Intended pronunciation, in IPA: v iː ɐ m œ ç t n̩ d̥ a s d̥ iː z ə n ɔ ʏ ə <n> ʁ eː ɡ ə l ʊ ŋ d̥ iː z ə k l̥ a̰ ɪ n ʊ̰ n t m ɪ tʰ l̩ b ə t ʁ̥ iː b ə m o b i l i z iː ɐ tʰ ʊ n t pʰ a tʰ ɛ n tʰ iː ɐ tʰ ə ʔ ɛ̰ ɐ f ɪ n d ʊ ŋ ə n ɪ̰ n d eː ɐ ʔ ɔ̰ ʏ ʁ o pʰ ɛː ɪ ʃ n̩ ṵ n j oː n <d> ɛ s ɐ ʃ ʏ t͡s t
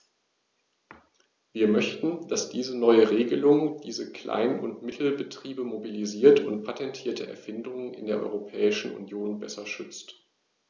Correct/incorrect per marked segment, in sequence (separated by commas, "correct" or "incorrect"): incorrect, incorrect